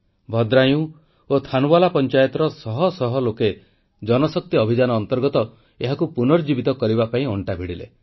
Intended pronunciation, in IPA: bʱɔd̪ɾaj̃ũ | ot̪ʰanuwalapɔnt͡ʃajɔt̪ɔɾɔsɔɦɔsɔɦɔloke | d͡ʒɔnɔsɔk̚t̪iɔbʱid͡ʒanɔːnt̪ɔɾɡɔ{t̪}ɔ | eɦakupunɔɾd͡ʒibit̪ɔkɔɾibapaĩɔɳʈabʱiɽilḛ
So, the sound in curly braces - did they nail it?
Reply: yes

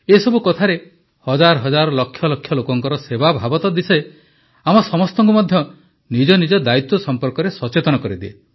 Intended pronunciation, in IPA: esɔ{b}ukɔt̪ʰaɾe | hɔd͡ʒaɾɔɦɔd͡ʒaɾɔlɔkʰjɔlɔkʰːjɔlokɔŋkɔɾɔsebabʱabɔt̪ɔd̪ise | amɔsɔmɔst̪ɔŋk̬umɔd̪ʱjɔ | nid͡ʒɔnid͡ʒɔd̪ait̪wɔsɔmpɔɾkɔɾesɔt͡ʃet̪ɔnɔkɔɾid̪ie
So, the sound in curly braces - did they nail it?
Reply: yes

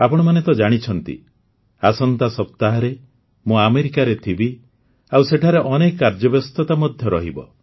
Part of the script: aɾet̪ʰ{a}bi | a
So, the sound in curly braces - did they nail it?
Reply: no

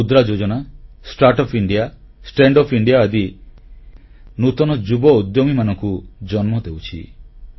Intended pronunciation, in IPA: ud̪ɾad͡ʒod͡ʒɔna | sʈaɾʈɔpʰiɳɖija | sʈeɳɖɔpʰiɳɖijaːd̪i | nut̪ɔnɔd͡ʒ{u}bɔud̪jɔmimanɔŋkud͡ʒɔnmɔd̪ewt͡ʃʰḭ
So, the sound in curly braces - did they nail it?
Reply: yes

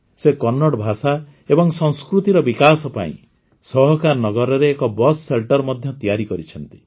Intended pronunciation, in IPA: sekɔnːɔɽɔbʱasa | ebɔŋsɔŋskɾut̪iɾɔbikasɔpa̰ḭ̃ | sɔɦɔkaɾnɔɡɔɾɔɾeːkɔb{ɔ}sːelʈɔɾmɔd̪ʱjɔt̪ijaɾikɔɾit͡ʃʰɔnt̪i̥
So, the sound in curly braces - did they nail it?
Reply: yes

